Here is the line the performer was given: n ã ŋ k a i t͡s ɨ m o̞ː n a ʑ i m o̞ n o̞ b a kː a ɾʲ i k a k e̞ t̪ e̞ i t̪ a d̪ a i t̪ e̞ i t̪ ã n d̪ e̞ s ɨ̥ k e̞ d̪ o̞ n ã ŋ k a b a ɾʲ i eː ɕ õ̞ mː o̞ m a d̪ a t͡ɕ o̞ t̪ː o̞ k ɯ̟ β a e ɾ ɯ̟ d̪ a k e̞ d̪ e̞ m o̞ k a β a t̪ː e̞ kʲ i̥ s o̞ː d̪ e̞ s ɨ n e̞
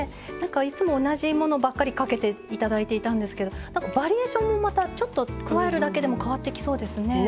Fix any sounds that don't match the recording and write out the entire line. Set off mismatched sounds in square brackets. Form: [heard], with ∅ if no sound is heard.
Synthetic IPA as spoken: n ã ŋ k a i t͡s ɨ m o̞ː n a ʑ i m o̞ n o̞ b a kː a ɾʲ i k a k e̞ t̪ e̞ i t̪ a d̪ a i t̪ e̞ i t̪ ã n d̪ e̞ s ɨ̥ k e̞ d̪ o̞ n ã ŋ k a b a ɾʲ i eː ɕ õ̞ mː o̞ m a [t̪] a t͡ɕ o̞ t̪ː o̞ k ɯ̟ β a e ɾ ɯ̟ d̪ a k e̞ d̪ e̞ m o̞ k a β a t̪ː e̞ kʲ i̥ s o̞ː d̪ e̞ s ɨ n e̞